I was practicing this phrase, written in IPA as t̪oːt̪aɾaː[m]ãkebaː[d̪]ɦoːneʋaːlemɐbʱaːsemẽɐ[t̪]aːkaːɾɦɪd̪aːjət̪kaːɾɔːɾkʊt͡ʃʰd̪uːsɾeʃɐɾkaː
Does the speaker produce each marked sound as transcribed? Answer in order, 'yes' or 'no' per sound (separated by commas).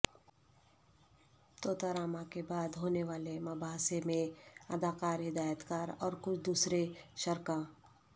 yes, yes, no